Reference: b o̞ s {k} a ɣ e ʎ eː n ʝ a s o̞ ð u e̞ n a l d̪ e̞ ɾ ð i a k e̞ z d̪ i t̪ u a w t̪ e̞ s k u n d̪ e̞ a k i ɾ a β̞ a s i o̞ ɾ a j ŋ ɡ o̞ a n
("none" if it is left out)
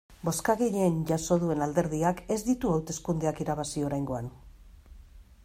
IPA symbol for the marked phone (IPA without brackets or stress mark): k